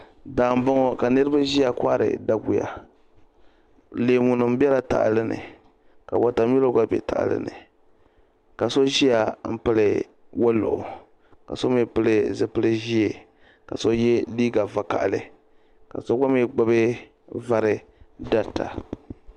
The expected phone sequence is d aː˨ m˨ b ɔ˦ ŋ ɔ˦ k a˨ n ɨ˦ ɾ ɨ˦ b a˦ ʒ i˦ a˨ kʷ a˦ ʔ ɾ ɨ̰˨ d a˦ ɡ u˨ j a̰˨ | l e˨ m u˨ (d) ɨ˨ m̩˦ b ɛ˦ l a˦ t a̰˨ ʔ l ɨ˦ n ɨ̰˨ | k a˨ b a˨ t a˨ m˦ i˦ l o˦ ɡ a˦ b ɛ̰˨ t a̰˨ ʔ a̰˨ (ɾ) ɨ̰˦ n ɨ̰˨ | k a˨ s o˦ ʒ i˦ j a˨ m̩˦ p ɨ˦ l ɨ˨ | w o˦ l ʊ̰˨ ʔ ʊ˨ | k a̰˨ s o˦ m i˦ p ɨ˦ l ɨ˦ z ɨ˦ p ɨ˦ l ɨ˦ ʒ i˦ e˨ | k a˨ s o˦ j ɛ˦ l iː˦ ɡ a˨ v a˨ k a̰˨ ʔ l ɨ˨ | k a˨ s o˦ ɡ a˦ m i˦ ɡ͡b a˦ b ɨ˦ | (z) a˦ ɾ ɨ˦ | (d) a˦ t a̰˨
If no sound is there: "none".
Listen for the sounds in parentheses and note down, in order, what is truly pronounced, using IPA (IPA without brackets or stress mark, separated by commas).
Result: n, l, v, d